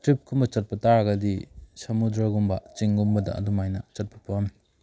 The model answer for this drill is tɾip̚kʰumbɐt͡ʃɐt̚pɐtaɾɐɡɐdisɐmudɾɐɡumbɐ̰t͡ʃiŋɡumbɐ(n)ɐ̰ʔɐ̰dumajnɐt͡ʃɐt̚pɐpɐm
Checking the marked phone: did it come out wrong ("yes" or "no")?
yes